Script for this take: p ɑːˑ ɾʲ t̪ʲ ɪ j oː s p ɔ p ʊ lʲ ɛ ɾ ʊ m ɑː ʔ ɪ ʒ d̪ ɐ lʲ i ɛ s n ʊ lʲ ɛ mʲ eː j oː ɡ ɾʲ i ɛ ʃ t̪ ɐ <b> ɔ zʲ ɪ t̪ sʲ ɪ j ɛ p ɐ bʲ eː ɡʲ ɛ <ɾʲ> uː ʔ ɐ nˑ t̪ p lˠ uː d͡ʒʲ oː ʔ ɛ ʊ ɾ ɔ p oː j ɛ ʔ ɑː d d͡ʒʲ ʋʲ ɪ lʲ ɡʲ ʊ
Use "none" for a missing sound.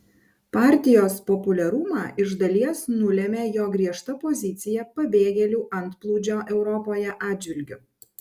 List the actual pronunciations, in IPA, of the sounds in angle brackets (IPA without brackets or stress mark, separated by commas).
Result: p, lʲ